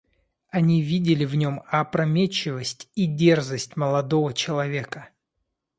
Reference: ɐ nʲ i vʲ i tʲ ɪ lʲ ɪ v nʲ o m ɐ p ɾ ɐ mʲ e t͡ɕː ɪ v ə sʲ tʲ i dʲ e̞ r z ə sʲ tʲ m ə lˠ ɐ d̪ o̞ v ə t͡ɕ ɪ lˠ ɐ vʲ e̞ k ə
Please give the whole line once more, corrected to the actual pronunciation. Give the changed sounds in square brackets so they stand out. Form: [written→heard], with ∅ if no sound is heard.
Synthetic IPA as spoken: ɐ nʲ i vʲ i [tʲ→dʲ] ɪ lʲ ɪ v nʲ o m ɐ p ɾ ɐ mʲ e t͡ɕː ɪ v ə sʲ tʲ i dʲ e̞ r z ə sʲ tʲ m ə lˠ ɐ d̪ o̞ v ə t͡ɕ ɪ lˠ ɐ vʲ e̞ k ə